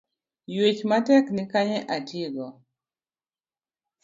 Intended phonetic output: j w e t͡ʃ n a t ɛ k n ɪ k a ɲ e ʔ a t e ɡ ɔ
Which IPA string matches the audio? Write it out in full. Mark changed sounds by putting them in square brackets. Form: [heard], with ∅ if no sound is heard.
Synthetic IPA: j w e t͡ʃ [m] a t ɛ k n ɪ k a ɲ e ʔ a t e ɡ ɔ